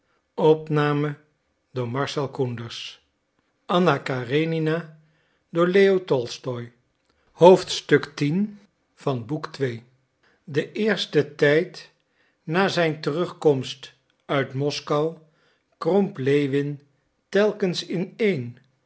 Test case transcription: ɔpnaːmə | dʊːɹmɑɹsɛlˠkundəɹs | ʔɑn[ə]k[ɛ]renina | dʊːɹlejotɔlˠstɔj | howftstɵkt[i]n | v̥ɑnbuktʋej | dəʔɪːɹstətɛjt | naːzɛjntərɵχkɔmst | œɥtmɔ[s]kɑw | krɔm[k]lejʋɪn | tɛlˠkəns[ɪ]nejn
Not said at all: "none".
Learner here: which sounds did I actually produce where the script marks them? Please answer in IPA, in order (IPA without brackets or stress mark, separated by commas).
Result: a, a, i, s, p, ɪ